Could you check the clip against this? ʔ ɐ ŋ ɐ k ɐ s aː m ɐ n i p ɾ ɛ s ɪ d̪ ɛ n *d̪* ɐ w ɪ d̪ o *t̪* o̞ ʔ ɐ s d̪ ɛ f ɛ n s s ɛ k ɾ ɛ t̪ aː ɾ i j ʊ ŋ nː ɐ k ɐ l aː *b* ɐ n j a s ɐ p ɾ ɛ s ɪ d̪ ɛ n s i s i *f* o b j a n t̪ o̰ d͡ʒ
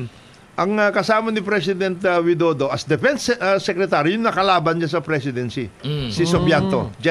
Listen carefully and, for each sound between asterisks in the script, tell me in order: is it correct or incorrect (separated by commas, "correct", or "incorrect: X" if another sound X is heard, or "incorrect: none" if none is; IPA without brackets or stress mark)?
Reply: incorrect: t̪, incorrect: d̪, correct, incorrect: s